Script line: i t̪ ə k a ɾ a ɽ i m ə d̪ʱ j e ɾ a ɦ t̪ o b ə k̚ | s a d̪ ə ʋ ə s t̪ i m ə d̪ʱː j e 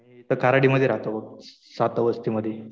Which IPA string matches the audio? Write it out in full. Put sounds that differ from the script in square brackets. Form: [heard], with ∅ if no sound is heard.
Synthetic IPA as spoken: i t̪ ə k a ɾ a ɽ i m ə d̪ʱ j e ɾ a ɦ t̪ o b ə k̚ | s a [t̪] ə ʋ ə s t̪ i m ə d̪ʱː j e

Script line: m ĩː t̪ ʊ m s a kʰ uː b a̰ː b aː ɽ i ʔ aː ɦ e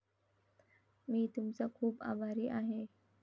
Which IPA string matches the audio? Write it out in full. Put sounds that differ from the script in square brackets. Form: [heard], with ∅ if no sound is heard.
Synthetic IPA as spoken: m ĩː t̪ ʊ m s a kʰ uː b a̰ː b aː [ɾ] i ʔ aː ɦ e

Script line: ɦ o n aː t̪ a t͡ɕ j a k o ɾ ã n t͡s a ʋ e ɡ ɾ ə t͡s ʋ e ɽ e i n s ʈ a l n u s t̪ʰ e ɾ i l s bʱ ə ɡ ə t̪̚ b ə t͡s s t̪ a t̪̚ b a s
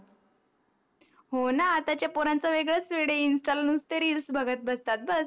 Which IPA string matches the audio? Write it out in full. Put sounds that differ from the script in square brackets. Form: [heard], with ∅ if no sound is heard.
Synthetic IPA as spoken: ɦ o n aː t̪ a t͡ɕ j a [p] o ɾ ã n t͡s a ʋ e ɡ [ɭ] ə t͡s ʋ e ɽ e i n s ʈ a l n u s [t̪] e ɾ i l s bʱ ə ɡ ə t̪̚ b ə [∅] s t̪ a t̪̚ b [ə] s

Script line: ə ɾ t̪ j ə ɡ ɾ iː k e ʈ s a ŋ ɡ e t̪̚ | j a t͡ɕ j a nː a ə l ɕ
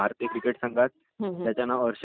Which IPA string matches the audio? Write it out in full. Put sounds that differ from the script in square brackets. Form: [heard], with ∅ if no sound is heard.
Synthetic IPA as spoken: [a] ɾ t̪ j ə [k] ɾ [i] k e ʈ s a ŋ ɡ [a] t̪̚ | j a t͡ɕ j a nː a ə [ɾ] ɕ

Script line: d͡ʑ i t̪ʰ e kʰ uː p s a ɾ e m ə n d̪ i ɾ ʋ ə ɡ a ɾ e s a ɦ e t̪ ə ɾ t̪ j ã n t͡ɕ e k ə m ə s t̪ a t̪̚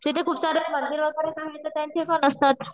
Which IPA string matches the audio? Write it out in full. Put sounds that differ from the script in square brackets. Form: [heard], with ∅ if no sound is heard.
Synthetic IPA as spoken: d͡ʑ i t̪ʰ e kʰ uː p s a ɾ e m ə n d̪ i ɾ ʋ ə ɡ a ɾ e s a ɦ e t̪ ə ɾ t̪ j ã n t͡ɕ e k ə [n] ə s t̪ a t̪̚

